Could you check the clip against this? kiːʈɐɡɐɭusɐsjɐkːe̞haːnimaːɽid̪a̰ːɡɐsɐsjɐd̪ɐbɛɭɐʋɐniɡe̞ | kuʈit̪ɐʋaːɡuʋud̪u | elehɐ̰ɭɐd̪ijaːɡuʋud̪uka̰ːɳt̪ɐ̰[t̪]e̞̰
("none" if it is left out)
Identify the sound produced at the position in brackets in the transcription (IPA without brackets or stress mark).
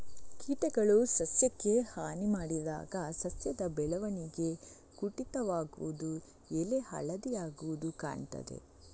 d̪